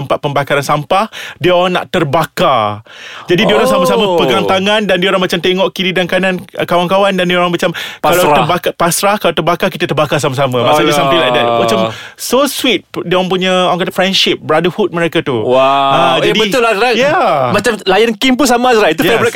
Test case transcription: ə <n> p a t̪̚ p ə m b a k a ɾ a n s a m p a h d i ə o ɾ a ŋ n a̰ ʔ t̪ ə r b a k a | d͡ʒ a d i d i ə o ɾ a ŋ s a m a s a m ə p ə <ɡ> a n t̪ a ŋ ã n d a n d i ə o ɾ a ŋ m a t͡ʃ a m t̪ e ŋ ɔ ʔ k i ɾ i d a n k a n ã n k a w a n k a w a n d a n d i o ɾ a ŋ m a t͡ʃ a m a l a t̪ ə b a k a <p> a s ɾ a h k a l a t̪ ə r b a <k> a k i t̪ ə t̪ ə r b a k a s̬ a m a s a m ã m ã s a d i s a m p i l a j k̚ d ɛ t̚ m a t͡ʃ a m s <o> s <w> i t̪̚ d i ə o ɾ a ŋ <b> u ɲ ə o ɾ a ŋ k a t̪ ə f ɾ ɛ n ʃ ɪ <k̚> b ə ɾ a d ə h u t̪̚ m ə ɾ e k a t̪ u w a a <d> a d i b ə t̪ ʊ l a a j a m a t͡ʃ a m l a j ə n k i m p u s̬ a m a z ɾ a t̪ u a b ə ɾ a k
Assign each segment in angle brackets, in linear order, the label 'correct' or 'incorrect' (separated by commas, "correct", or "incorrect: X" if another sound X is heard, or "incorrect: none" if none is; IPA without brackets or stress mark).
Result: incorrect: m, correct, correct, correct, correct, correct, incorrect: p, incorrect: p̚, incorrect: d͡ʒ